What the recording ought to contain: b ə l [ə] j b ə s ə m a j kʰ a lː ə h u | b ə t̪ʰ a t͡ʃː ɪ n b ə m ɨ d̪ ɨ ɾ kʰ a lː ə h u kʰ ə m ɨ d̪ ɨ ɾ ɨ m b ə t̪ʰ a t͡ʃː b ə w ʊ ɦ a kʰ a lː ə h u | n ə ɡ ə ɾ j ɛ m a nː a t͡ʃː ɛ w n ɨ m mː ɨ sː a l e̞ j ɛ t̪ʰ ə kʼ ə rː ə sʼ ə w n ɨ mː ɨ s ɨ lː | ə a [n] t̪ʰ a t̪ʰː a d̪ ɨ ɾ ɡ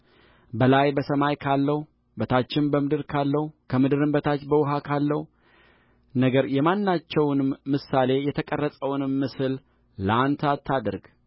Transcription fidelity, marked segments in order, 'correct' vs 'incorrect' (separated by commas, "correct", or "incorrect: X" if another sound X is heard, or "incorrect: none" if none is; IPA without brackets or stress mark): incorrect: a, correct